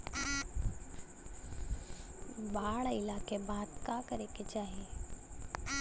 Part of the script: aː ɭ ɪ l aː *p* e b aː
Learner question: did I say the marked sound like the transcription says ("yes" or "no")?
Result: no